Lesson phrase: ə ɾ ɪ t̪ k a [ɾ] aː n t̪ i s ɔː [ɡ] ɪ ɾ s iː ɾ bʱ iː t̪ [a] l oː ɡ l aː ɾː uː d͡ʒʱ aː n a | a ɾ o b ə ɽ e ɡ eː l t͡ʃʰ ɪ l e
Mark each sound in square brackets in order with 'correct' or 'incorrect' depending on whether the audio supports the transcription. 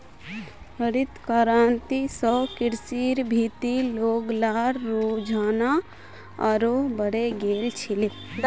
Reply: correct, incorrect, incorrect

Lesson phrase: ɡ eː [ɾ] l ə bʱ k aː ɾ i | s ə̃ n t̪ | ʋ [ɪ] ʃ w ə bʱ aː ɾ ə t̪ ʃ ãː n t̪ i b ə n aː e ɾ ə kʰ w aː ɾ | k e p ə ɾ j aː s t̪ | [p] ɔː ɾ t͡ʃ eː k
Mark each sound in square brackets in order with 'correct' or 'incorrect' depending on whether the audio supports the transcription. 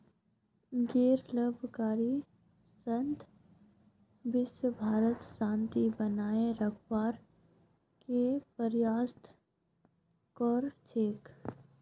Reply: correct, correct, incorrect

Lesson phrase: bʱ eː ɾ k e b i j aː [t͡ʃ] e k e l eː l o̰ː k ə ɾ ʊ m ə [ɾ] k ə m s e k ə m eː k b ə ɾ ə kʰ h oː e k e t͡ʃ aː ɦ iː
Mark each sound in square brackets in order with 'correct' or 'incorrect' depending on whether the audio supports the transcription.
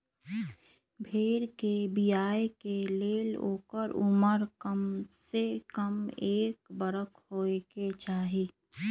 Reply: incorrect, correct

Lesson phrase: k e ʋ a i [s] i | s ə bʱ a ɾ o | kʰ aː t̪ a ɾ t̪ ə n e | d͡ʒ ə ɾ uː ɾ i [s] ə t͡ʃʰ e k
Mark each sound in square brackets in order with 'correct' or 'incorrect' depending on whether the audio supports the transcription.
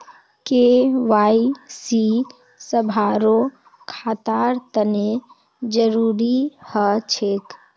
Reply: correct, incorrect

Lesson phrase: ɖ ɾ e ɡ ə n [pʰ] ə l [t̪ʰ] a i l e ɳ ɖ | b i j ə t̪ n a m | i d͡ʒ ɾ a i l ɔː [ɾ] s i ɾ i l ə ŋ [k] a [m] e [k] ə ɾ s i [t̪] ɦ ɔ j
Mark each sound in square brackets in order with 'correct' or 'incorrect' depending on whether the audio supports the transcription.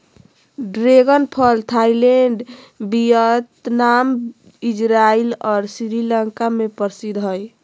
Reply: correct, correct, correct, correct, correct, incorrect, incorrect

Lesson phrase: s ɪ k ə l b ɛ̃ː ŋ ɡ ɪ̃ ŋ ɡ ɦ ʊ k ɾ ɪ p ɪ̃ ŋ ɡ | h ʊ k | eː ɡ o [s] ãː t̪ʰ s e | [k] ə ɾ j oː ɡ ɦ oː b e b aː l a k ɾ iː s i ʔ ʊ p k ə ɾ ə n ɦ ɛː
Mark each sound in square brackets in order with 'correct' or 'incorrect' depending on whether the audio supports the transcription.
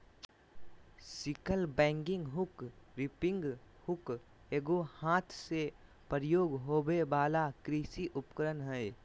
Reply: incorrect, incorrect

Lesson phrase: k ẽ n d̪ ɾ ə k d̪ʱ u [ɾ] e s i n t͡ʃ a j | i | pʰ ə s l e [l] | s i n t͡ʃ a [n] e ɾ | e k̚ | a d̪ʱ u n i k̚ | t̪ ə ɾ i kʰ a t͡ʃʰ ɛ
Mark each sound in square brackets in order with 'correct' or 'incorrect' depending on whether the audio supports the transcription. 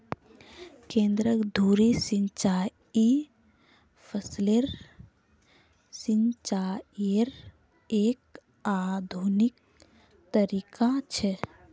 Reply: correct, incorrect, incorrect

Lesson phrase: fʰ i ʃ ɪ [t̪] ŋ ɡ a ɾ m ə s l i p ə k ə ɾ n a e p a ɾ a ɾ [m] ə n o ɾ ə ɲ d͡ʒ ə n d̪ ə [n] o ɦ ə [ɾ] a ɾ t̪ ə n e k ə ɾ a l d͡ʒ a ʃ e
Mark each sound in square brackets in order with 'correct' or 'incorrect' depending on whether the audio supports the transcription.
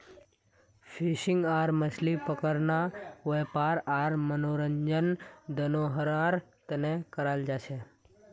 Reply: incorrect, correct, correct, correct

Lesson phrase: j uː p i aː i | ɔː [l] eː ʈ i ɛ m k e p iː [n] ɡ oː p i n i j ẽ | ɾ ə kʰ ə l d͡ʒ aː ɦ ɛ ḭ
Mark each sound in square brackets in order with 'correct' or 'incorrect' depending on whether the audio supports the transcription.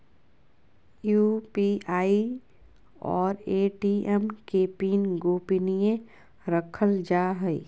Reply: incorrect, correct

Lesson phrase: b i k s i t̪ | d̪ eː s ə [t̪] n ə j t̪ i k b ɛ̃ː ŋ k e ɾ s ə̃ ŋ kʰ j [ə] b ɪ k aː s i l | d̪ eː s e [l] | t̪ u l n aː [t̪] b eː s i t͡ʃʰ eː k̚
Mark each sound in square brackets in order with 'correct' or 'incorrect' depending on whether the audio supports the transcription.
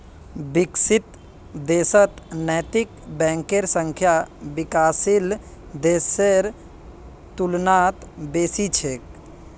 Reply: correct, incorrect, incorrect, correct

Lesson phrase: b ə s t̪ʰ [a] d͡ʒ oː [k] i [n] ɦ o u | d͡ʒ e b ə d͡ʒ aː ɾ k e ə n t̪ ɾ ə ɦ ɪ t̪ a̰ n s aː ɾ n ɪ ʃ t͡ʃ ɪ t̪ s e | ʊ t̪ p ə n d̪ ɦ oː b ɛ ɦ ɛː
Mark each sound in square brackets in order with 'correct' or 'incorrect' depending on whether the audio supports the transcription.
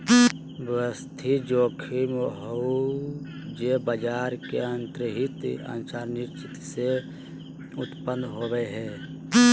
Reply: incorrect, incorrect, incorrect

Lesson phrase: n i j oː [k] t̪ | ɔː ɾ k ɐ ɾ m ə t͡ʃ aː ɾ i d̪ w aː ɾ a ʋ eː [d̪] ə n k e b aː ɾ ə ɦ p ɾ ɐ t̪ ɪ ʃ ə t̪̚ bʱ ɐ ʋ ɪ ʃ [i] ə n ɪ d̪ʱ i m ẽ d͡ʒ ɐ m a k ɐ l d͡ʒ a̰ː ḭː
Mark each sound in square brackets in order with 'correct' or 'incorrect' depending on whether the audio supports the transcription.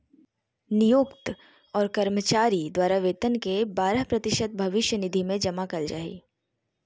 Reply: correct, incorrect, incorrect

